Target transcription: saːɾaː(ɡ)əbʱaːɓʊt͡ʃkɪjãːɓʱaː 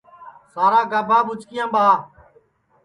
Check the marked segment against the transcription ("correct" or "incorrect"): correct